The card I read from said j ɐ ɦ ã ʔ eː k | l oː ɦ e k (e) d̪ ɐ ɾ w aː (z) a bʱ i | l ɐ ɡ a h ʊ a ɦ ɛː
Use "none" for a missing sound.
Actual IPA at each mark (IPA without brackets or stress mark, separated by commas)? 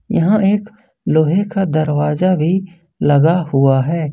a, z